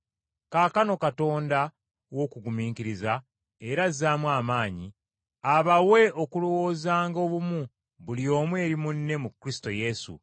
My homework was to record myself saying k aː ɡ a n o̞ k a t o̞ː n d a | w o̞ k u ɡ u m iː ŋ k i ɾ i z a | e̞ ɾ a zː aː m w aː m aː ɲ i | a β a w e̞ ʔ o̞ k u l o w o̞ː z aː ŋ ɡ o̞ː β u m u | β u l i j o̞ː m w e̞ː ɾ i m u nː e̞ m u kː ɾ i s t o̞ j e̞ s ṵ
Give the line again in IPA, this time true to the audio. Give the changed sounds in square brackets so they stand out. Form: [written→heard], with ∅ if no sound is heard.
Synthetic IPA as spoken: k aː [ɡ→k] a n o̞ k a t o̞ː n d a | w o̞ k u ɡ u m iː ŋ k i ɾ i z a | e̞ ɾ a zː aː m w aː m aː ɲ i | a β a w e̞ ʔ o̞ k u l o w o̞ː z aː ŋ ɡ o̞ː β u m u | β u l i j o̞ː m w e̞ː ɾ i m u nː e̞ m u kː ɾ i s t o̞ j e̞ s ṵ